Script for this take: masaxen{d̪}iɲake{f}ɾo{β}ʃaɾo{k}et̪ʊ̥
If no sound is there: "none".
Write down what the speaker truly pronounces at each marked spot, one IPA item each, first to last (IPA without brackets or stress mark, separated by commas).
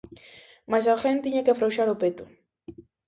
t̪, f, w, p